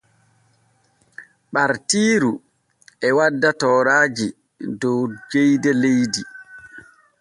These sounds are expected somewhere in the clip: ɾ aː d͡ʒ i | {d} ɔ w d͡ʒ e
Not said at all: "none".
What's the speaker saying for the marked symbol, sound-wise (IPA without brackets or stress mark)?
d